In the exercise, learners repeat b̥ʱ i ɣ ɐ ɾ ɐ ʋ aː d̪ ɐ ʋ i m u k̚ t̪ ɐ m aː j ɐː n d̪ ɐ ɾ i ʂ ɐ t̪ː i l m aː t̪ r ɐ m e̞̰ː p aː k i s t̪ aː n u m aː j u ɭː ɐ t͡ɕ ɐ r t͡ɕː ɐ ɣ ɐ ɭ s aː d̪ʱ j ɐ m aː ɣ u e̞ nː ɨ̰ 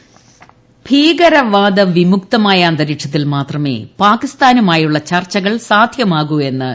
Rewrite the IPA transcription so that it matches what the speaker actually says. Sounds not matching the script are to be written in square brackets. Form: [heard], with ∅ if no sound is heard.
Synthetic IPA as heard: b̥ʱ [iː] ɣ ɐ ɾ ɐ ʋ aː d̪ ɐ ʋ i m u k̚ t̪ ɐ m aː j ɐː n d̪ ɐ ɾ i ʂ ɐ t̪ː i l m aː t̪ r ɐ m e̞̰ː p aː k i s t̪ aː n u m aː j u ɭː ɐ t͡ɕ ɐ r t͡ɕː ɐ ɣ ɐ ɭ s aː d̪ʱ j ɐ m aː ɣ u e̞ nː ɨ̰

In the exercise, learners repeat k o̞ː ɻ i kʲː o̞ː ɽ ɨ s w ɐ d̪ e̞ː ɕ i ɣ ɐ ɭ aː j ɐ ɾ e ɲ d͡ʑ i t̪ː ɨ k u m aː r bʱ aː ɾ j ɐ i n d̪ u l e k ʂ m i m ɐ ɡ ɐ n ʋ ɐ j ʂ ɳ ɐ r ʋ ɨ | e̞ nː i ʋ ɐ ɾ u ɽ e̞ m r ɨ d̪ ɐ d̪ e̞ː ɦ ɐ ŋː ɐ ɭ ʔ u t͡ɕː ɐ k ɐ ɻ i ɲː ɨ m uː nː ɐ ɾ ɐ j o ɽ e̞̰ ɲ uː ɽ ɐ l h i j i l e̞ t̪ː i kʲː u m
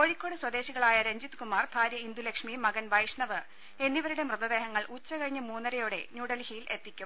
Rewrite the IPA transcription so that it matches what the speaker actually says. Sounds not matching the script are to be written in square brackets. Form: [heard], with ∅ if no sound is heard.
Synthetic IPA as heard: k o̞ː ɻ i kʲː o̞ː ɽ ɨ s w ɐ d̪ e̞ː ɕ i ɣ ɐ ɭ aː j ɐ ɾ e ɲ d͡ʑ i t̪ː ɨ k u m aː r bʱ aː ɾ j ɐ i n d̪ u l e k ʂ m i m ɐ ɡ ɐ n ʋ ɐ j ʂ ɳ ɐ [∅] ʋ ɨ | e̞ nː i ʋ ɐ ɾ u ɽ e̞ m r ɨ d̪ ɐ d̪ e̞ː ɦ ɐ ŋː ɐ ɭ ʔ u t͡ɕː ɐ k ɐ ɻ i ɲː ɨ m uː nː ɐ ɾ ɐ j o ɽ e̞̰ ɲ uː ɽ ɐ l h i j i l e̞ t̪ː i kʲː u m

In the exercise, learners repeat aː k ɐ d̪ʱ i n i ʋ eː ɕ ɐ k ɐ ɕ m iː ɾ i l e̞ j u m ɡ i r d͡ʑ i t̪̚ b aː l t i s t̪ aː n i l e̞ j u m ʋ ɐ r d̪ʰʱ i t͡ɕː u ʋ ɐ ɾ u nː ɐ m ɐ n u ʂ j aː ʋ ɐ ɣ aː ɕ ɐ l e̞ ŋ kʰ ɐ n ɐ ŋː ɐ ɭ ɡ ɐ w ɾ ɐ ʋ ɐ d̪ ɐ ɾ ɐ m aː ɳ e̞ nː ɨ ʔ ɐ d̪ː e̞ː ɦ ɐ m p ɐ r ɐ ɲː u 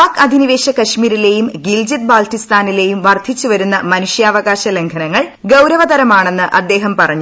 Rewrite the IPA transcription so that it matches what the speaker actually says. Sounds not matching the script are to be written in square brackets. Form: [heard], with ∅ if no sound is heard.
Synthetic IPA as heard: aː k ɐ d̪ʱ i n i ʋ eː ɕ ɐ k ɐ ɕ m iː ɾ i l e̞ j u m ɡ i [l] d͡ʑ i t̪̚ b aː l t i s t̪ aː n i l e̞ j u m ʋ ɐ r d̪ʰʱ i t͡ɕː u ʋ ɐ ɾ u nː ɐ m ɐ n u ʂ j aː ʋ ɐ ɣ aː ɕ ɐ l e̞ ŋ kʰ ɐ n ɐ ŋː ɐ ɭ ɡ ɐ w ɾ ɐ ʋ ɐ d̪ ɐ ɾ ɐ m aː ɳ e̞ nː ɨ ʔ ɐ d̪ː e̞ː ɦ ɐ m p ɐ r ɐ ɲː u

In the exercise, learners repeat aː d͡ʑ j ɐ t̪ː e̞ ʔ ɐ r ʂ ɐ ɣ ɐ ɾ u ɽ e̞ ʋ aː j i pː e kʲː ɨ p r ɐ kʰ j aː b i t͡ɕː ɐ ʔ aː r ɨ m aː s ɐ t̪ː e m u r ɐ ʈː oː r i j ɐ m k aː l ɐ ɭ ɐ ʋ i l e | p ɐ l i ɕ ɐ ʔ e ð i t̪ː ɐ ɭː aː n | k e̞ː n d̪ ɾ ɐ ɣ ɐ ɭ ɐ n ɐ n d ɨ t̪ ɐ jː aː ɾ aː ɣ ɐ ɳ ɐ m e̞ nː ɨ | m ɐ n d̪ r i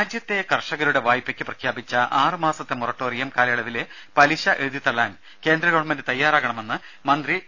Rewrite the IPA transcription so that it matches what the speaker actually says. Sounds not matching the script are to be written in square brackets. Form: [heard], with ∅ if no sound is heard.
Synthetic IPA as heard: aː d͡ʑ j ɐ t̪ː e̞ [k] ɐ r ʂ ɐ ɣ ɐ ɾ u ɽ e̞ ʋ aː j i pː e kʲː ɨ p r ɐ kʰ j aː b i t͡ɕː ɐ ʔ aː r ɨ m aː s ɐ t̪ː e m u r ɐ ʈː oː r i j ɐ m k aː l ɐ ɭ ɐ ʋ i l e | p ɐ l i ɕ ɐ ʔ e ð i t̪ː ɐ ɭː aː n | k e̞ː n d̪ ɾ ɐ ɣ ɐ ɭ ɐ [m] ɐ n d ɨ t̪ ɐ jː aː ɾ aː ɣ ɐ ɳ ɐ m e̞ nː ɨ | m ɐ n d̪ r i

